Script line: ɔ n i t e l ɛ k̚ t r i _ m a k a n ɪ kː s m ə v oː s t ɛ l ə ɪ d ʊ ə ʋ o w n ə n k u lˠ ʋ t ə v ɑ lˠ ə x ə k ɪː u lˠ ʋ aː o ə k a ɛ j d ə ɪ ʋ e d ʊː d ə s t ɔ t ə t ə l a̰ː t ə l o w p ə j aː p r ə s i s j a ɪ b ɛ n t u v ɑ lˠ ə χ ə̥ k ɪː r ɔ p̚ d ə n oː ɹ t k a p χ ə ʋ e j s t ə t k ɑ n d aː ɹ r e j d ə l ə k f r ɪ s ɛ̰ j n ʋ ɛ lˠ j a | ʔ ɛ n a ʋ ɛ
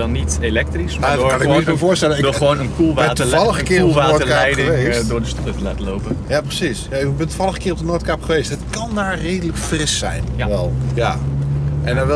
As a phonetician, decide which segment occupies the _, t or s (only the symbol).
s